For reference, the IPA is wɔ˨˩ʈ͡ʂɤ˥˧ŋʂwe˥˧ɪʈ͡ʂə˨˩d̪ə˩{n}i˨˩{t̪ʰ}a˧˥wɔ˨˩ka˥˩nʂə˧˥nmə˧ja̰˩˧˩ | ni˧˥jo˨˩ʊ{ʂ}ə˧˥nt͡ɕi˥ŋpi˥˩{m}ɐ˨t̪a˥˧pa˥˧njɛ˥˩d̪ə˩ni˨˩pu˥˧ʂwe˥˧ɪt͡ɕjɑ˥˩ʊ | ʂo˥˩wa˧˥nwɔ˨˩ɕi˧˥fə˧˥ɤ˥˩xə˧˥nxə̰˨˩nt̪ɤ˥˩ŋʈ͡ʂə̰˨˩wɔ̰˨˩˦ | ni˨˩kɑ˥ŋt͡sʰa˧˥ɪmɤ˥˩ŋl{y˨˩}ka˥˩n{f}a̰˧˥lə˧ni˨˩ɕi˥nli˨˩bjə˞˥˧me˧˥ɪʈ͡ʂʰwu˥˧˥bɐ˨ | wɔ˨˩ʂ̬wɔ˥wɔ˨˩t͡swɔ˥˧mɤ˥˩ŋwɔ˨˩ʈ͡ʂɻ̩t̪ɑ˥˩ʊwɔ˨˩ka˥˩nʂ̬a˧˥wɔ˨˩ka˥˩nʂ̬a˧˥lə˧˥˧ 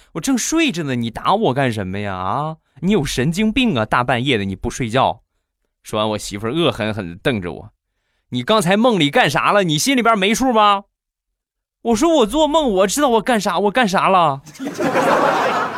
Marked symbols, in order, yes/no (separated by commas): yes, no, yes, no, no, no